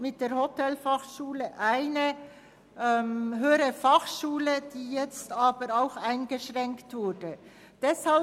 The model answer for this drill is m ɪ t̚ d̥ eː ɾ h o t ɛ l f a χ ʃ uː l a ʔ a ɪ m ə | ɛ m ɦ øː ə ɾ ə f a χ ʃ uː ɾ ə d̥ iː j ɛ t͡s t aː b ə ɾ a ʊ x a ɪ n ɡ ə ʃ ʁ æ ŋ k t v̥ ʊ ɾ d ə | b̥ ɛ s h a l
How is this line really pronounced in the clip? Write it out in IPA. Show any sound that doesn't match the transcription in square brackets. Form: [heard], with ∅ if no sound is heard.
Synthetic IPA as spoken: m ɪ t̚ d̥ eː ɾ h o t ɛ l f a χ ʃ uː l [ə] ʔ a ɪ [n] ə | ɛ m ɦ øː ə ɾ ə f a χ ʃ uː [l] ə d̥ iː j ɛ t͡s t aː b ə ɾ a ʊ x a ɪ n ɡ ə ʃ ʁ [ɛ] ŋ k t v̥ ʊ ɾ d ə | [d̥] ɛ s h a l